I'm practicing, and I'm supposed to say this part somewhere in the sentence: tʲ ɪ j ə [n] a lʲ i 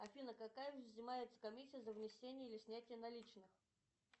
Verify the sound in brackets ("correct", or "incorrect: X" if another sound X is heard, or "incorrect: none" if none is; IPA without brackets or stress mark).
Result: correct